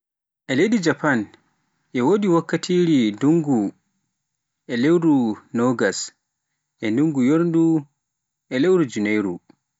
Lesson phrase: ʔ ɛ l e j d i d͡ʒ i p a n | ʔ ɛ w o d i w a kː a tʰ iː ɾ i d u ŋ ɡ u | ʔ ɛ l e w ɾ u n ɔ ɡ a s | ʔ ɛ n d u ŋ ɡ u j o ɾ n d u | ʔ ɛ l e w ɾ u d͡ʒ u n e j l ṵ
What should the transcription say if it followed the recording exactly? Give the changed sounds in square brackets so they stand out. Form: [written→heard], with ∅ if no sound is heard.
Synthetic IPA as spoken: ʔ ɛ l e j d i d͡ʒ [i→a] p a n | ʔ ɛ w o d i w a kː a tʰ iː ɾ i d u ŋ ɡ u | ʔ ɛ l e w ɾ u n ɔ ɡ a s | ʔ ɛ n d u ŋ ɡ u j o ɾ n d u | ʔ ɛ l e w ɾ u d͡ʒ u n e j [l→ɾ] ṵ